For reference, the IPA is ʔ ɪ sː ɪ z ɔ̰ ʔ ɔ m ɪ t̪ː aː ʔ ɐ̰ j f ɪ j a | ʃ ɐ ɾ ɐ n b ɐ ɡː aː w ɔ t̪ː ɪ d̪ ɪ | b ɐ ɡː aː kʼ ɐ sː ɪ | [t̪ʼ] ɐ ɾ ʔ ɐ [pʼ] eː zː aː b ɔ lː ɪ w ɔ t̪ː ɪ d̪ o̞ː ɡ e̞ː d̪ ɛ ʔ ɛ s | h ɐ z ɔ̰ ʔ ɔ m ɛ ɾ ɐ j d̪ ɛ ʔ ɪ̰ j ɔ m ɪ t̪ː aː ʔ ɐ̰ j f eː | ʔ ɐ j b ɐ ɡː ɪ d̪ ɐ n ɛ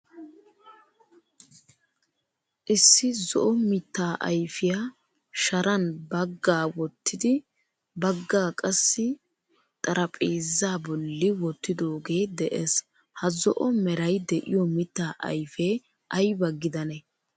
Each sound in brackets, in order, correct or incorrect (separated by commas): correct, correct